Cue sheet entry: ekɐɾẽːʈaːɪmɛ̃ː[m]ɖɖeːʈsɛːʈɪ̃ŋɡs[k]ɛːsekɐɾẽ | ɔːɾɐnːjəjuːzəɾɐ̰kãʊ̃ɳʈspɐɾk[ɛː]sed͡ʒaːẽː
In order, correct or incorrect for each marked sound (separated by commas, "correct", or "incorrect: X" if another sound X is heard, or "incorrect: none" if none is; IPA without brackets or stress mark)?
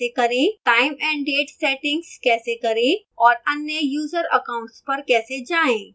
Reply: incorrect: ɳ, correct, correct